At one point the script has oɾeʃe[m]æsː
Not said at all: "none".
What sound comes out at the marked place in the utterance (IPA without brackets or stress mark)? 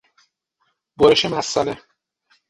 m